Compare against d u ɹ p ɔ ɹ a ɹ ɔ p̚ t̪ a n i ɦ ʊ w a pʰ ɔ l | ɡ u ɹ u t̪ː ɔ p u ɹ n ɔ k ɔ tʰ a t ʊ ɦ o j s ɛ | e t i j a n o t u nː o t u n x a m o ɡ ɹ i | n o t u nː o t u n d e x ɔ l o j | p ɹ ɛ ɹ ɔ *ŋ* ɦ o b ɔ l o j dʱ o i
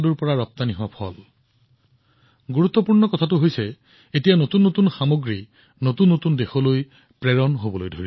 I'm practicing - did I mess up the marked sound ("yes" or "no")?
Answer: yes